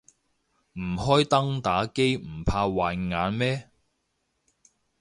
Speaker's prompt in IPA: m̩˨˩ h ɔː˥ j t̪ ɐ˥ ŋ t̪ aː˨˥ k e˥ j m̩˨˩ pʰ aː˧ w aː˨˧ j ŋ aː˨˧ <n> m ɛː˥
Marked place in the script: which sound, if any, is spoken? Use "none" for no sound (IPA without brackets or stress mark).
n